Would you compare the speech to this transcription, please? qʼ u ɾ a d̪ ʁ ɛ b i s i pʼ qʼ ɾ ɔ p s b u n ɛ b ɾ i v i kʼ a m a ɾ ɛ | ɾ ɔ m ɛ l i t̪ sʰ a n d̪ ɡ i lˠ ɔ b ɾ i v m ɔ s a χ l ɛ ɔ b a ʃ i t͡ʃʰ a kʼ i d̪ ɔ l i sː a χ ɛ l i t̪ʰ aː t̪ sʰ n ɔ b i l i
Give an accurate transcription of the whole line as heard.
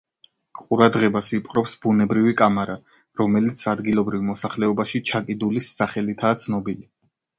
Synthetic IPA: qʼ u ɾ a d̪ ʁ ɛ b a s i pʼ qʼ ɾ ɔ p s b u n ɛ b ɾ i v i kʼ a m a ɾ a | ɾ ɔ m ɛ l i t̪ sʰ a d̪ ɡ i lˠ ɔ b ɾ i v m ɔ s a χ l ɛ ɔ b a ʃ i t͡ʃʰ a kʼ i d̪ u l i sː a χ ɛ l i t̪ʰ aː t̪ sʰ n ɔ b i l i